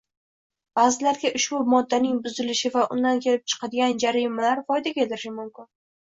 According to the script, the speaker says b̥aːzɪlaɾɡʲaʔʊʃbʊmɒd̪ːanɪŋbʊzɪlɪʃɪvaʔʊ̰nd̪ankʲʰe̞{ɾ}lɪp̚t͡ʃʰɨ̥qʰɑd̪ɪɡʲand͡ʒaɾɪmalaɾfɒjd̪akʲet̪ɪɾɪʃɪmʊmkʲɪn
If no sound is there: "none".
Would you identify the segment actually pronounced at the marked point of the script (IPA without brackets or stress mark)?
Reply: none